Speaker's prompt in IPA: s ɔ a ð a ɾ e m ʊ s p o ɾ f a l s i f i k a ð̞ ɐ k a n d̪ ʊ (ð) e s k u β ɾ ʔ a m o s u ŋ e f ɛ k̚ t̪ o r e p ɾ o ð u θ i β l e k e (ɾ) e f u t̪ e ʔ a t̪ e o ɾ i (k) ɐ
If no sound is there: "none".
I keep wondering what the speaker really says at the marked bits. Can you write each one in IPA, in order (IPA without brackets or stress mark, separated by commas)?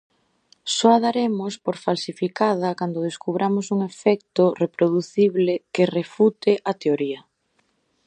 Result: ð, r, none